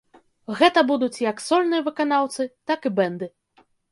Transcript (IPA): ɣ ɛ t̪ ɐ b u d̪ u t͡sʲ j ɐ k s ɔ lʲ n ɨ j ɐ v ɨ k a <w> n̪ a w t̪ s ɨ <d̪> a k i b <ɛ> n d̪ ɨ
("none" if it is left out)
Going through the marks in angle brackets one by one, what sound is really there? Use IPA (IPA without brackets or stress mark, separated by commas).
none, t̪, ɛ